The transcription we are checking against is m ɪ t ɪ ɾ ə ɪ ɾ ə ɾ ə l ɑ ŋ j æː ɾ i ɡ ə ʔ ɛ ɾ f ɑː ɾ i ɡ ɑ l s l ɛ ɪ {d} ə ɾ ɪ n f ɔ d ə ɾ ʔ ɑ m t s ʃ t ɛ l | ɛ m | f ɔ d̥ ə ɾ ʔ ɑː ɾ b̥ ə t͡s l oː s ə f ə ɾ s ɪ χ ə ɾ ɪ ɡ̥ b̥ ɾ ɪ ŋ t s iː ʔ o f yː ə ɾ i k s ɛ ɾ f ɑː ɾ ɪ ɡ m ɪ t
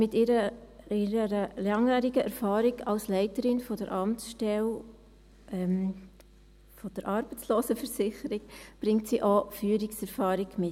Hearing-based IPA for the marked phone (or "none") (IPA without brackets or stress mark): t